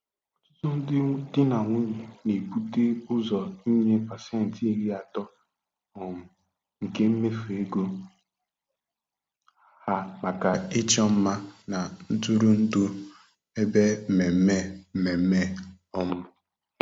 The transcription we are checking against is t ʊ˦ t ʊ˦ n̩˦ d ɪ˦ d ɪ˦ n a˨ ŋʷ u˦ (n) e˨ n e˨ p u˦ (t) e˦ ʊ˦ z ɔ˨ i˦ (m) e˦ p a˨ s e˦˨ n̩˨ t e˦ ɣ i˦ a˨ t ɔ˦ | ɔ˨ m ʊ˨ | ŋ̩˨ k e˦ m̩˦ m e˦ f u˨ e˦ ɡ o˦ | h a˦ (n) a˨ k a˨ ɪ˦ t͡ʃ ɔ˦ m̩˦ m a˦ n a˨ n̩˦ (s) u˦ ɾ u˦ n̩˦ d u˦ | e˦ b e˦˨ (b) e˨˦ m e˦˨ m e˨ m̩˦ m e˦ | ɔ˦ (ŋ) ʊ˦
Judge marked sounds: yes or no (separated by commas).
no, yes, no, no, no, no, no